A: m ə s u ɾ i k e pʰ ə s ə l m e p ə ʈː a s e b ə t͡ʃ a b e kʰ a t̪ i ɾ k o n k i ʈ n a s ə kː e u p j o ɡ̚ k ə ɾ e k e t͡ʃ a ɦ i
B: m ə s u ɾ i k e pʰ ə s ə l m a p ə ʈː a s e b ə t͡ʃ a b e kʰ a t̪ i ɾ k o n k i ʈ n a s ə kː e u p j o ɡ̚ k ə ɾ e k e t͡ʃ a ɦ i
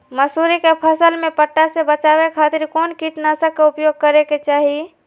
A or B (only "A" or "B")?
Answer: A